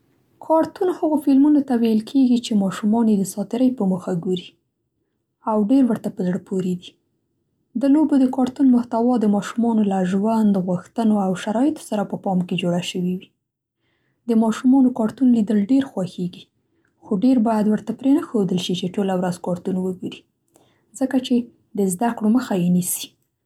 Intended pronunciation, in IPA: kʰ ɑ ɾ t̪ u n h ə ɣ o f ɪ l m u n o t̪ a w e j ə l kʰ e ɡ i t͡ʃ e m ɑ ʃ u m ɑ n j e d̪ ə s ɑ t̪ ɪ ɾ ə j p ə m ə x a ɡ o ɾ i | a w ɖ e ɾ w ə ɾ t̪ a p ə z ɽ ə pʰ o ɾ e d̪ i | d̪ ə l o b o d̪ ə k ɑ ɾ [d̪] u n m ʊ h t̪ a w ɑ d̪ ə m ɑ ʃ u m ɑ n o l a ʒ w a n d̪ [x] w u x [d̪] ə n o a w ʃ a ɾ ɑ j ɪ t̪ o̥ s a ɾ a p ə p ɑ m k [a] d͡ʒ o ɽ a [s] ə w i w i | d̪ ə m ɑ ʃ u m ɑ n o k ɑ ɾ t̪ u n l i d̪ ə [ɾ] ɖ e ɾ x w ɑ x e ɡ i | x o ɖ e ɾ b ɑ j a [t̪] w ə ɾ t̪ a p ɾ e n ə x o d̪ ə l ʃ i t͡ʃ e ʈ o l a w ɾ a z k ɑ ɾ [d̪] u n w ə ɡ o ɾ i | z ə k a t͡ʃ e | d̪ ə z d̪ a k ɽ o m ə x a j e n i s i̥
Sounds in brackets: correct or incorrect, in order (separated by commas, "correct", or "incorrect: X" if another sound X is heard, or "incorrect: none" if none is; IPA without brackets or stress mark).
incorrect: t̪, incorrect: ɣ, incorrect: t̪, incorrect: e, incorrect: ʃ, incorrect: l, incorrect: d̪, incorrect: t̪